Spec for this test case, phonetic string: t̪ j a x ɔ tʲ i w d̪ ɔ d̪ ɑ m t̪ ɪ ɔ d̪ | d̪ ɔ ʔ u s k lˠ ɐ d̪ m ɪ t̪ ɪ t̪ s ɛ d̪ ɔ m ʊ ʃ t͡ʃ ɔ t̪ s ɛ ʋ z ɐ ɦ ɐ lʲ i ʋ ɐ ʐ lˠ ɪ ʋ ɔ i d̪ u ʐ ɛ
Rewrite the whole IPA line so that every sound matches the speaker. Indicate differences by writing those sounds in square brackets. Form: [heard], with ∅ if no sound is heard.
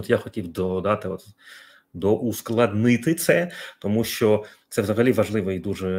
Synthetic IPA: t̪ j a x ɔ tʲ i w d̪ ɔ d̪ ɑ [∅] t̪ ɪ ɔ [t̪] | d̪ ɔ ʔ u s k lˠ ɐ d̪ [n] ɪ t̪ ɪ t̪ s ɛ [t̪] ɔ m [u] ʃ t͡ʃ ɔ t̪ s ɛ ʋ z ɐ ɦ ɐ lʲ i ʋ ɐ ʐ lˠ ɪ ʋ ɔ i d̪ u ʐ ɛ